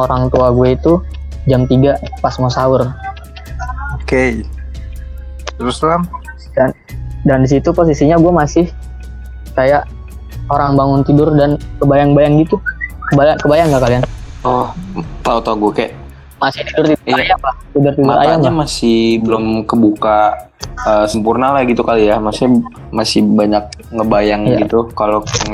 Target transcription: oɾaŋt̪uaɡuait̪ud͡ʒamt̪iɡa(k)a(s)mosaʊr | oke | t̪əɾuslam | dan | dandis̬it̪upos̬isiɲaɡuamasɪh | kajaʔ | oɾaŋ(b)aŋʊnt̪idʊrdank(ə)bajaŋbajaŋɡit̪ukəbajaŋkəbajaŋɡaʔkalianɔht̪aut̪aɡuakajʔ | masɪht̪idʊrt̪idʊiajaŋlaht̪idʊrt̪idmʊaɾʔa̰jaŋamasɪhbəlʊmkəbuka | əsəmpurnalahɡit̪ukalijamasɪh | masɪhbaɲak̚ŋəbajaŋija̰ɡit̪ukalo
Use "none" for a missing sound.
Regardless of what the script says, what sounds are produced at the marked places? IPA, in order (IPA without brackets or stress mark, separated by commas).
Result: p, s, b, ə